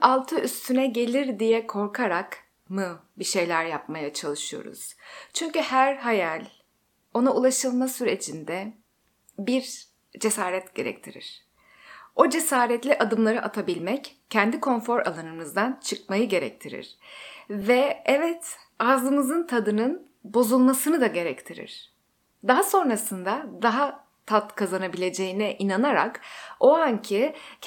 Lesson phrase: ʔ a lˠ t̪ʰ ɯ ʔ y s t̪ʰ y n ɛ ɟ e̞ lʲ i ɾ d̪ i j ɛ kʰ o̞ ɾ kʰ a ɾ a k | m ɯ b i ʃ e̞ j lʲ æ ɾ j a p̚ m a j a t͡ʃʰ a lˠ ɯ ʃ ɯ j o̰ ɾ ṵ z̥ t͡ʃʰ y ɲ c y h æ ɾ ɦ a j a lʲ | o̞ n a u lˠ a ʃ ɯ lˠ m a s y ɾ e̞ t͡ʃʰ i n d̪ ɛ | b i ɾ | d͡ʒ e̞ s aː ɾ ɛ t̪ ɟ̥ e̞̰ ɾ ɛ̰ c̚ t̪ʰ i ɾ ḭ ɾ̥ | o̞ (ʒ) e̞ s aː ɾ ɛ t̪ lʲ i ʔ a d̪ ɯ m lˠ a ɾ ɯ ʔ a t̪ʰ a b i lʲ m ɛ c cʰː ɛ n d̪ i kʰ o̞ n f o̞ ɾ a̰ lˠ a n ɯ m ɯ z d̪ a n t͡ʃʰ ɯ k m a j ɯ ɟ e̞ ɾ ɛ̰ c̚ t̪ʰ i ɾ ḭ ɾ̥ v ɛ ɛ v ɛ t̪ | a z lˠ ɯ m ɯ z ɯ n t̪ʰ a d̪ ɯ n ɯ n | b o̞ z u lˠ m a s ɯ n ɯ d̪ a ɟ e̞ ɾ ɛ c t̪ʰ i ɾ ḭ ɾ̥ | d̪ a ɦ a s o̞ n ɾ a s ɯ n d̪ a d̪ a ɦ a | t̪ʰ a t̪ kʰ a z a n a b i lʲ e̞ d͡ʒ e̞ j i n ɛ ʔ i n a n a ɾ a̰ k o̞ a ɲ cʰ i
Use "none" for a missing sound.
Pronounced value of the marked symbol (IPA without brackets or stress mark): d͡ʒ